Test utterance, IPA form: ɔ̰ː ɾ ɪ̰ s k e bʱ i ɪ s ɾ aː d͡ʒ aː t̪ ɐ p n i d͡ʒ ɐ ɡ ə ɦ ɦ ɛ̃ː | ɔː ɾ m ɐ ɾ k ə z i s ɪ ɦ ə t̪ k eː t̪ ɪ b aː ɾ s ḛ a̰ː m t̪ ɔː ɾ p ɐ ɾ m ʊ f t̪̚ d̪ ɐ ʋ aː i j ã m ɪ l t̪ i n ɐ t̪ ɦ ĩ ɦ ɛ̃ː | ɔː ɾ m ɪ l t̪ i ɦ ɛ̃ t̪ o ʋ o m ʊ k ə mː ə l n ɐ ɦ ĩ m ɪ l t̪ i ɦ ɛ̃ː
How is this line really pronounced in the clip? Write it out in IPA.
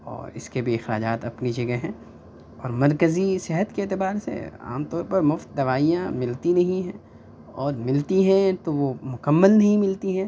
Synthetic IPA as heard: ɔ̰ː ɾ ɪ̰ s k e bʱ i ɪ x ɾ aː d͡ʒ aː t̪ ɐ p n i d͡ʒ ɐ ɡ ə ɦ ɦ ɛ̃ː | ɔː ɾ m ɐ ɾ k ə z i s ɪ ɦ ə t̪ k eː t̪ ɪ b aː ɾ s ḛ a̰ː m t̪ ɔː ɾ p ɐ ɾ m ʊ f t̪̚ d̪ ɐ ʋ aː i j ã m ɪ l t̪ i n ɐ ɦ ĩ ɦ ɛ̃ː | ɔː ɾ m ɪ l t̪ i ɦ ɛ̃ t̪ o ʋ o m ʊ k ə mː ə l n ɐ ɦ ĩ m ɪ l t̪ i ɦ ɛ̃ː